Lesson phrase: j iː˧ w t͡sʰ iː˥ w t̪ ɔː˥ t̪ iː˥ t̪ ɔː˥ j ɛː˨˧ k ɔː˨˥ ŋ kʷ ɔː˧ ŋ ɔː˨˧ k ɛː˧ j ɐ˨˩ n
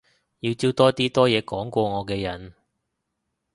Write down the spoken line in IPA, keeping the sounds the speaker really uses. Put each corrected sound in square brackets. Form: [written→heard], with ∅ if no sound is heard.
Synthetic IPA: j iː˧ w [t͡sʰ→t͡s] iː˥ w t̪ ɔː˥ t̪ iː˥ t̪ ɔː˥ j ɛː˨˧ k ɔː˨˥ ŋ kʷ ɔː˧ ŋ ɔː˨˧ k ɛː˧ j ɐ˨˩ n